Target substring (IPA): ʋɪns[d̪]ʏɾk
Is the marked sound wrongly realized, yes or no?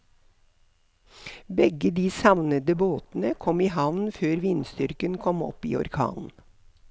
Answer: yes